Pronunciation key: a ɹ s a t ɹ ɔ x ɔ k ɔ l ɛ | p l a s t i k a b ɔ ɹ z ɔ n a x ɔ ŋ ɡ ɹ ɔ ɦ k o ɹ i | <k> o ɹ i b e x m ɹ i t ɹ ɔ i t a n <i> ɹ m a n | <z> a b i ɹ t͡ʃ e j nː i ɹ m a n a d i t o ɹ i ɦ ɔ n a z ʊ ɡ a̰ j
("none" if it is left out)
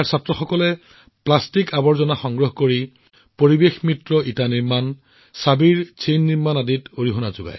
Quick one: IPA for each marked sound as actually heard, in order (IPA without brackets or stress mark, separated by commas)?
p, i, s